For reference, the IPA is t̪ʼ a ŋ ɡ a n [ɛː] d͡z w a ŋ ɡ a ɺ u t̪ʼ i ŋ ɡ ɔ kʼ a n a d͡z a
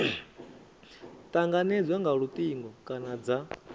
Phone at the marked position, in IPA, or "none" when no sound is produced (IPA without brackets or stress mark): ɛ